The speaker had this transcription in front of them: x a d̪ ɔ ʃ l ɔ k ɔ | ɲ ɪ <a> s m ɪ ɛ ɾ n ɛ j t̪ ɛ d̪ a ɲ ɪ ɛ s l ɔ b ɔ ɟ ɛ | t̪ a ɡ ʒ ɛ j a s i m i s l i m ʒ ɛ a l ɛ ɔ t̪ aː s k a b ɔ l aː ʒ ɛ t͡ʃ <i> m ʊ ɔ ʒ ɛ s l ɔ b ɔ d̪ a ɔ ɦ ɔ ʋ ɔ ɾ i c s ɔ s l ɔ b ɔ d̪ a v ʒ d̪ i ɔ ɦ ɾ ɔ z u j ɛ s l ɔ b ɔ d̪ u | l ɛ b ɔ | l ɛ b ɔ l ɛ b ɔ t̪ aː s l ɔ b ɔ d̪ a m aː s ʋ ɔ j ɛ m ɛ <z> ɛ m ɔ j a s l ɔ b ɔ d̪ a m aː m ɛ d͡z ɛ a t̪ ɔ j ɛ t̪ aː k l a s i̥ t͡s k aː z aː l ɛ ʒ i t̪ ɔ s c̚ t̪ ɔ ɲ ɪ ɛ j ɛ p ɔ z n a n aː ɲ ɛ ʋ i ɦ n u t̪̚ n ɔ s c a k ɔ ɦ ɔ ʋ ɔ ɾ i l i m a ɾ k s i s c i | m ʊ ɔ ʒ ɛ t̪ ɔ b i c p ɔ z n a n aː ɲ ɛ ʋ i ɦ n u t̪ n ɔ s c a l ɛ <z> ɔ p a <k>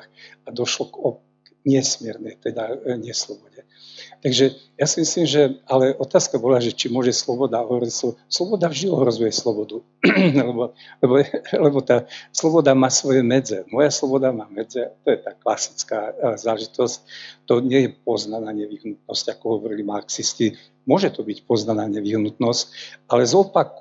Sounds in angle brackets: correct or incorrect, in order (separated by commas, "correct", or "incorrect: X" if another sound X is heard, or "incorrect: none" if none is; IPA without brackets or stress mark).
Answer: incorrect: ɛ, correct, incorrect: d͡z, correct, correct